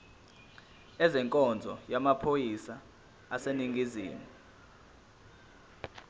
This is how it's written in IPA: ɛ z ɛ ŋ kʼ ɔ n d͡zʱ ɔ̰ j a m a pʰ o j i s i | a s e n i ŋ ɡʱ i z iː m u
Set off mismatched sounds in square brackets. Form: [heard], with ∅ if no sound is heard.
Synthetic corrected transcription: ɛ z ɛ ŋ kʼ ɔ n d͡zʱ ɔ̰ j a m a pʰ o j i s [a] | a s e n i ŋ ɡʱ i z iː m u